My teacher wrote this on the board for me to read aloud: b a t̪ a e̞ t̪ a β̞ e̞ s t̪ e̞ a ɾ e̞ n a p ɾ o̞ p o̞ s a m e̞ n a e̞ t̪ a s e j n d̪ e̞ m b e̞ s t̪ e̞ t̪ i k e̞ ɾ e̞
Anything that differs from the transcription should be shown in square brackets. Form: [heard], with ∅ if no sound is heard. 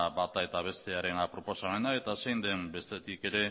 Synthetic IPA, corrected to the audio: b a t̪ a e̞ t̪ a β̞ e̞ s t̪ e̞ a ɾ e̞ n a p ɾ o̞ p o̞ s a m e̞ n a e̞ t̪ a s e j n d̪ e̞ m b e̞ s t̪ e̞ t̪ i k e̞ ɾ e̞